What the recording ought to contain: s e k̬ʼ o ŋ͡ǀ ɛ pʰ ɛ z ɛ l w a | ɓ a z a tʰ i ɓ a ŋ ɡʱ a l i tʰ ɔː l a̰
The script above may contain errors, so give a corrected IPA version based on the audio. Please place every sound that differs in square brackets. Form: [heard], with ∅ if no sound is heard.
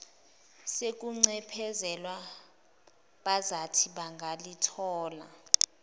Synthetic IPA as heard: s e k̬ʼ [u] ŋ͡ǀ ɛ pʰ ɛ z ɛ l w a | ɓ a z a tʰ i ɓ a ŋ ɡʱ a l i tʰ ɔː l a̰